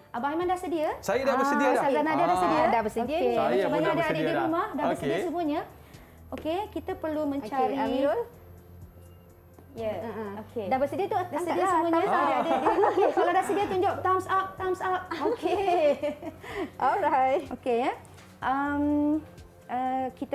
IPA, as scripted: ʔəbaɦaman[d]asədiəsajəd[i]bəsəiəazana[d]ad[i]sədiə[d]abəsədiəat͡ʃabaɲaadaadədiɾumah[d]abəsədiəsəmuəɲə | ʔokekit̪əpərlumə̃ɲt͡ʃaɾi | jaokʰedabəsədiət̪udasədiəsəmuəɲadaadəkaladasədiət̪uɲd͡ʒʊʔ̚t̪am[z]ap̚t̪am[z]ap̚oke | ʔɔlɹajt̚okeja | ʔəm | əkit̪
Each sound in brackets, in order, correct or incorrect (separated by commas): correct, incorrect, correct, incorrect, correct, correct, incorrect, incorrect